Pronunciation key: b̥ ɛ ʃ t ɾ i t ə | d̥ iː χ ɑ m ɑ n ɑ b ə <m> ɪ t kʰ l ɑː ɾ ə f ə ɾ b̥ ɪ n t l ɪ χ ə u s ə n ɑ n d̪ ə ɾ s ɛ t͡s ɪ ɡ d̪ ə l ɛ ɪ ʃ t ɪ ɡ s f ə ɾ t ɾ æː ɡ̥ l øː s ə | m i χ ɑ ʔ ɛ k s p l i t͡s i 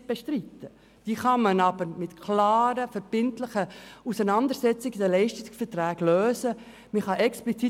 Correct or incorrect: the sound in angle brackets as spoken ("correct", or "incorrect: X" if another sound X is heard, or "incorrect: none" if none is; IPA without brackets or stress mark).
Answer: correct